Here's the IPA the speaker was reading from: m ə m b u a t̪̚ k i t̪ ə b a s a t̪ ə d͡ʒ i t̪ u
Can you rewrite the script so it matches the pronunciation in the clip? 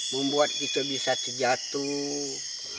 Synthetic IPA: m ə m b u a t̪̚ k i t̪ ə b i s a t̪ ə d͡ʒ a t̪ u